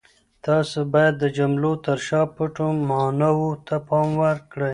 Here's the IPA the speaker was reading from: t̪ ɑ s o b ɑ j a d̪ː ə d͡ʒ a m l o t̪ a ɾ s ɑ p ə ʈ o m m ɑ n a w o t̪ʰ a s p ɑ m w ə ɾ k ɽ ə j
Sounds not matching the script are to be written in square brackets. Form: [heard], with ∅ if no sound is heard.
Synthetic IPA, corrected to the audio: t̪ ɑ s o b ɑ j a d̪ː ə d͡ʒ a m l o t̪ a ɾ [ʃ] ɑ p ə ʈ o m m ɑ n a w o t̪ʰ a [∅] p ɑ m w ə ɾ k ɽ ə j